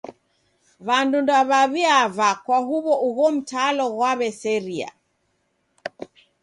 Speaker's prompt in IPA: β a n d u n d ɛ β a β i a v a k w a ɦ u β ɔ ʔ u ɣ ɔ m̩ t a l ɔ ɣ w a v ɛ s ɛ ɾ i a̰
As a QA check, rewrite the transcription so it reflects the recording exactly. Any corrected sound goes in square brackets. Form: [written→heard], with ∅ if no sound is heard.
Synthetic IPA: β a n d u n d [ɛ→a] β a β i a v a k w a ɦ u β ɔ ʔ u ɣ ɔ m̩ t a l ɔ ɣ w a [v→β] ɛ s ɛ ɾ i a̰

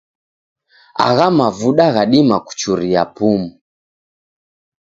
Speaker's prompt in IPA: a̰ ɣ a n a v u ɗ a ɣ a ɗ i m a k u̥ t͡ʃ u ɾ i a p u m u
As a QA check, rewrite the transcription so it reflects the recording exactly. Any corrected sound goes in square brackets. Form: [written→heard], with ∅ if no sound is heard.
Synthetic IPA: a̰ ɣ a [n→m] a v u ɗ a ɣ a ɗ i m a k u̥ t͡ʃ u ɾ i a p u m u

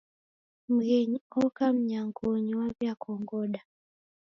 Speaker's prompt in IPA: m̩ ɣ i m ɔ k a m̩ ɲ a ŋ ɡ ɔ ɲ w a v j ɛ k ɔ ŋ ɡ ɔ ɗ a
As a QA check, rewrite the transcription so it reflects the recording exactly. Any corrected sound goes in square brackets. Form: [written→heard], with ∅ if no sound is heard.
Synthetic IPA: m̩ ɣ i [m→ɲ] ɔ k a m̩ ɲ a ŋ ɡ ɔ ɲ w a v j [ɛ→a] k ɔ ŋ ɡ ɔ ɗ a

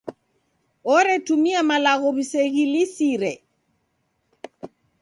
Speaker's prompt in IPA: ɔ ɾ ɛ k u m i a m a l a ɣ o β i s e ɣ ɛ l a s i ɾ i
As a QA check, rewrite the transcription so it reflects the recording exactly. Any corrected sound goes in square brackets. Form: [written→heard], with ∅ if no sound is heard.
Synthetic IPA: ɔ ɾ ɛ [k→t] u m i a m a l a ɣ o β i s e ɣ [ɛ→i] l [a→i] s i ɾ [i→ɛ]

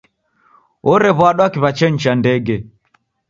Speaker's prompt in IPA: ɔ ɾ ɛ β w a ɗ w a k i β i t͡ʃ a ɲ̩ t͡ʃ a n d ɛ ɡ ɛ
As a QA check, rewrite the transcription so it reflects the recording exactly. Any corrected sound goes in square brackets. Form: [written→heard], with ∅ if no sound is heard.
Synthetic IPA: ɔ ɾ ɛ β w a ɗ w a k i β [i→a] t͡ʃ [a→ɛ] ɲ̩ t͡ʃ a n d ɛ ɡ ɛ

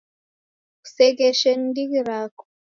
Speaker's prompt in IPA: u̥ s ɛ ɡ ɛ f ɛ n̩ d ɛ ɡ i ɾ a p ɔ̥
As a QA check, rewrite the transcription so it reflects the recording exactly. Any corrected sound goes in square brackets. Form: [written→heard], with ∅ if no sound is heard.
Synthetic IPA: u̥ s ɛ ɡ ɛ [f→ʃ] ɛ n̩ d [ɛ→i] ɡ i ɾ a [p→k] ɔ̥

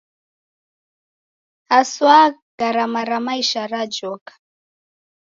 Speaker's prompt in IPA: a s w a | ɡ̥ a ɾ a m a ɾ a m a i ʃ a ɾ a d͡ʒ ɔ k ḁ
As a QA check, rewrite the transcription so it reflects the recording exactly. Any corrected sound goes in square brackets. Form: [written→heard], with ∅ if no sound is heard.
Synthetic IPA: a s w a | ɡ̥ a ɾ a m a ɾ a m a i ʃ a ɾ a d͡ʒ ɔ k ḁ

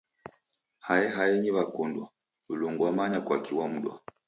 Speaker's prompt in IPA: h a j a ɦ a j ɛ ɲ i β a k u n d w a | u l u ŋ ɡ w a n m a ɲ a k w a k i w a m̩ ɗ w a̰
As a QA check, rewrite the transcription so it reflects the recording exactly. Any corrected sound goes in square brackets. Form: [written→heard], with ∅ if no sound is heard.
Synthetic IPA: h a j [a→ɛ] ɦ a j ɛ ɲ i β a k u n d w a | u l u ŋ ɡ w a [n→∅] m a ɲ a k w a k i w a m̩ ɗ w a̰

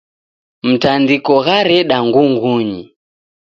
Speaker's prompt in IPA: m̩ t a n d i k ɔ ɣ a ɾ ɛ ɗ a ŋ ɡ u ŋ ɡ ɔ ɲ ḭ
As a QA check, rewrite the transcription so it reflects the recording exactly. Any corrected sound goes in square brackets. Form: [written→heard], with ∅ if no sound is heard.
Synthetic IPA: m̩ t a n d i k ɔ ɣ a ɾ ɛ ɗ a ŋ ɡ u ŋ ɡ [ɔ→u] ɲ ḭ

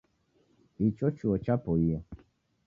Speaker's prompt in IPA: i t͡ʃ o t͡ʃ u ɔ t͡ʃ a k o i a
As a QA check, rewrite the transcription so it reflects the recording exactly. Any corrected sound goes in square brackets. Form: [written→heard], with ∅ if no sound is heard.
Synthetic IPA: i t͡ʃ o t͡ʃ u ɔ t͡ʃ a [k→p] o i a

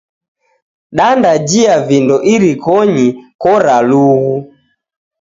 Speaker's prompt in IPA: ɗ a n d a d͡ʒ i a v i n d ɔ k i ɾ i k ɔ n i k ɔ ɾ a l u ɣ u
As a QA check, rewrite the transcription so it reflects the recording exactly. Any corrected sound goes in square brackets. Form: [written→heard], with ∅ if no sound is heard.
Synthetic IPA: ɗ a n d a d͡ʒ i a v i n d ɔ [k→ʔ] i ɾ i k ɔ [n→ɲ] i k ɔ ɾ a l u ɣ u

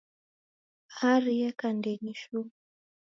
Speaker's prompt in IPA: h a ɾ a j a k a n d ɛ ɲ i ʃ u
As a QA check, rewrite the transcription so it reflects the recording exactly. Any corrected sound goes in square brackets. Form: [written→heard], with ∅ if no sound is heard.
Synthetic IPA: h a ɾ [a→i] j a k a n d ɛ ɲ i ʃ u

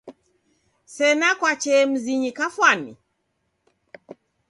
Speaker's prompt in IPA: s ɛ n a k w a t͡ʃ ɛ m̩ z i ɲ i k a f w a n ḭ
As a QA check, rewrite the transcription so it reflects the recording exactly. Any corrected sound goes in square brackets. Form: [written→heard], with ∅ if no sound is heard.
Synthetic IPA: s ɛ n a k w a t͡ʃ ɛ m̩ z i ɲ i k a f w a n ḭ

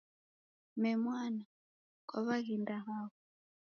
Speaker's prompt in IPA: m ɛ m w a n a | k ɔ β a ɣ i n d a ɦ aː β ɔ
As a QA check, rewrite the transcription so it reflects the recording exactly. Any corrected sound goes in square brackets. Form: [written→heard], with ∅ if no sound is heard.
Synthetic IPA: m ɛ m w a n a | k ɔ β a ɣ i n d a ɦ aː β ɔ

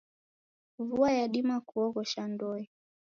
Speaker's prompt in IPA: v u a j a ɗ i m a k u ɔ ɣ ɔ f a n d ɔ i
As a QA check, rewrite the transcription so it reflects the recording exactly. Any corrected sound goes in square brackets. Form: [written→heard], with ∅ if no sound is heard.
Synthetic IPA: v u a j a ɗ i m a k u ɔ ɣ ɔ [f→ʃ] a n d ɔ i

